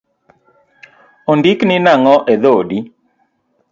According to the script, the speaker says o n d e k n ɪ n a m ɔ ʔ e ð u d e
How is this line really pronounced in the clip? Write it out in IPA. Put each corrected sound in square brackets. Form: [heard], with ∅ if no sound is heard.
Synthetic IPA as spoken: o n d [i] k n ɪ n a [ŋ] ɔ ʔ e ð [o] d [i]